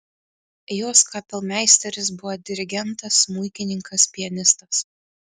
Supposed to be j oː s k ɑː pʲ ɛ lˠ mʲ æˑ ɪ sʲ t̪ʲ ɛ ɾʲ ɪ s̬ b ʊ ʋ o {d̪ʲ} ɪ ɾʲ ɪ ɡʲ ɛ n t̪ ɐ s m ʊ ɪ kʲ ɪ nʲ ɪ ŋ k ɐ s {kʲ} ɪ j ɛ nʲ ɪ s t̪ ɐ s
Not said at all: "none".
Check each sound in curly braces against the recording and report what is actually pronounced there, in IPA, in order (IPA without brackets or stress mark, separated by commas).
d̪ʲ, pʲ